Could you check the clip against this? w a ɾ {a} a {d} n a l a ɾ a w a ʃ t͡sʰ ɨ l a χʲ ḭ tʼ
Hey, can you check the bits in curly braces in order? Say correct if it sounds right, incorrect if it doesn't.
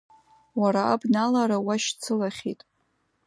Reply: correct, incorrect

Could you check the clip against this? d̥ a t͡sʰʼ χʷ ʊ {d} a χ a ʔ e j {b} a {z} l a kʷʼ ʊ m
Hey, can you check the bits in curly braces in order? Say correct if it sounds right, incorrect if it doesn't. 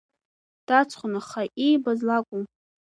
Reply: incorrect, correct, correct

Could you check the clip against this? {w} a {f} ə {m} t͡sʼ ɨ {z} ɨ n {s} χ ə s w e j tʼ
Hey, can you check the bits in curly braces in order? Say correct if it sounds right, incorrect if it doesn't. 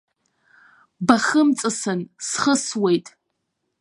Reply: incorrect, incorrect, correct, incorrect, correct

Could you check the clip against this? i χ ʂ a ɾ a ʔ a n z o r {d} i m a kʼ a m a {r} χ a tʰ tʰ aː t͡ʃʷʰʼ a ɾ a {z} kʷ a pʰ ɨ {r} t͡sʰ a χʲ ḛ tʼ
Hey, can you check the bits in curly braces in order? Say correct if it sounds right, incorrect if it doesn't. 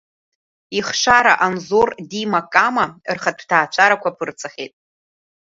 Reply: correct, correct, incorrect, correct

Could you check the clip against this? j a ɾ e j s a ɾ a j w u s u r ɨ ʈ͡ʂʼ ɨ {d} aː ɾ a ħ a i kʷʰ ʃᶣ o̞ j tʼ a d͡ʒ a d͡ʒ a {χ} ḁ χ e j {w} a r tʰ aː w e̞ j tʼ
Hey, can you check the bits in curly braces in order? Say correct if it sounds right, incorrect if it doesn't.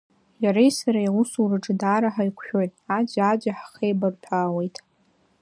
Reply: correct, incorrect, incorrect

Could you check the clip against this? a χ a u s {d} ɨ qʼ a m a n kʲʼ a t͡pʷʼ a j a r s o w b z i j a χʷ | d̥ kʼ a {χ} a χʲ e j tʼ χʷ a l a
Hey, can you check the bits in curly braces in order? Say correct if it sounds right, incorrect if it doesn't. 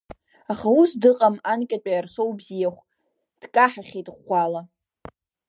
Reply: correct, incorrect

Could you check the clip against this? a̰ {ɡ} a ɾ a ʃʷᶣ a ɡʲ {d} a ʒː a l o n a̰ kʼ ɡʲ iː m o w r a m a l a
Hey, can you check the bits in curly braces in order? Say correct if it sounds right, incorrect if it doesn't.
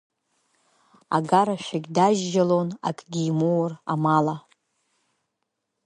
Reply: correct, correct

